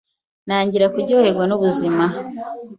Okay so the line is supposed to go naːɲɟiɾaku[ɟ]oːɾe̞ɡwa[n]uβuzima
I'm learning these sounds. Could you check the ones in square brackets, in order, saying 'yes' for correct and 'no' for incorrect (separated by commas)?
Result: yes, yes